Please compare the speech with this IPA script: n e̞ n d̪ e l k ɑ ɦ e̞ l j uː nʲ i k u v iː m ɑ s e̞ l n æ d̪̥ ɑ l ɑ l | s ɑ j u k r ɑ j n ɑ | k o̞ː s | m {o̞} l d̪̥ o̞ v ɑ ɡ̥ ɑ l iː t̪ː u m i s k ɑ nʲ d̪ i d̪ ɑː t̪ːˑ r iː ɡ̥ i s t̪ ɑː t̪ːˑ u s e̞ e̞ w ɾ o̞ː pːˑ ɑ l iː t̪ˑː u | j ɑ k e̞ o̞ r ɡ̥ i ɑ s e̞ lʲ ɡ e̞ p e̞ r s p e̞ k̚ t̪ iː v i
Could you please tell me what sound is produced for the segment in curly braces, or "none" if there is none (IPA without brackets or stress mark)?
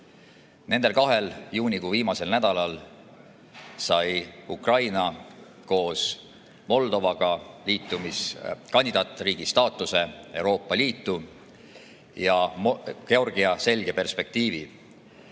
o̞